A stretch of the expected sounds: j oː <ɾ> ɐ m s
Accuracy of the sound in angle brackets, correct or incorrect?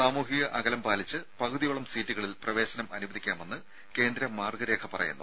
incorrect